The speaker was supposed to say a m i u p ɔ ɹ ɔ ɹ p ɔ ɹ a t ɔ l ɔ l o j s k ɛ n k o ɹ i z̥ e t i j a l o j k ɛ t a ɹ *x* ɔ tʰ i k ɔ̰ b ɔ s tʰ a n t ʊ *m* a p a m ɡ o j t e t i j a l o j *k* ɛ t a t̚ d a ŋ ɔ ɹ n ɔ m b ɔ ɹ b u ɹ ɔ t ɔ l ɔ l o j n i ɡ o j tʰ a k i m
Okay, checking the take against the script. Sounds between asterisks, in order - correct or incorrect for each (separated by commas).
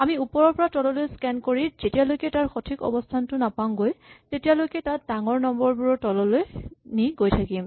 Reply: correct, incorrect, correct